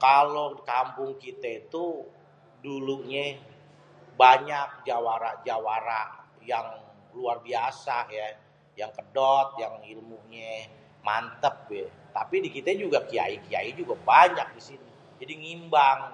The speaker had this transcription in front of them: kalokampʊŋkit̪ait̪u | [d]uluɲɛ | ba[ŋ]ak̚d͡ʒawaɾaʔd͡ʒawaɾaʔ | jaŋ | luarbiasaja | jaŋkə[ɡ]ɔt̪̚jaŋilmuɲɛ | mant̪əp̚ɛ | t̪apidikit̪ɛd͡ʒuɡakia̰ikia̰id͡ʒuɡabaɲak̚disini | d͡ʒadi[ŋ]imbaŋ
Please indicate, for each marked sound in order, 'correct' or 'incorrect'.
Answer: correct, incorrect, incorrect, correct

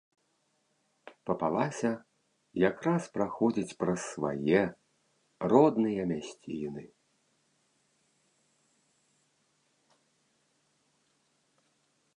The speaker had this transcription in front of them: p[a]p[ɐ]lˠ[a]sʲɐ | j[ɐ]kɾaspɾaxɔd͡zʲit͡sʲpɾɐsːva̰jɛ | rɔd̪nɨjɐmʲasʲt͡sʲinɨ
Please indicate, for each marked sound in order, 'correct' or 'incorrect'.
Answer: incorrect, incorrect, correct, incorrect

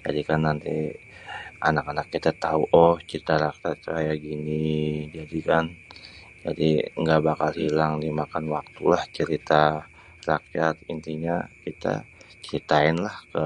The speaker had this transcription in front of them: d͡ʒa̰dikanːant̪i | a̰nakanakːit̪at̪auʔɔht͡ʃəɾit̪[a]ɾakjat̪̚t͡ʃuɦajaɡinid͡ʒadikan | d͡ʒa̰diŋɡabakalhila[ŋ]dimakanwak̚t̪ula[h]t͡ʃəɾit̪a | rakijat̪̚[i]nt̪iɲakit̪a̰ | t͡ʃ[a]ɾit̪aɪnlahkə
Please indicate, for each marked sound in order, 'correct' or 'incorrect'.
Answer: correct, correct, correct, correct, incorrect

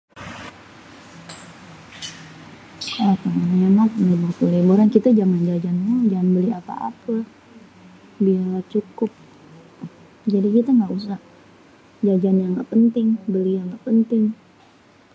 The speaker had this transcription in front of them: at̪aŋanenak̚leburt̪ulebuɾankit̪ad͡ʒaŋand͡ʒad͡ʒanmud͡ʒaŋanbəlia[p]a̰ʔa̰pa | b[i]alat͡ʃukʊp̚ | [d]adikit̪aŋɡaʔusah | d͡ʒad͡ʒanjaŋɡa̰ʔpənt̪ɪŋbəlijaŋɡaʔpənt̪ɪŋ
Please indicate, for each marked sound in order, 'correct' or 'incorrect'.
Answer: correct, correct, incorrect

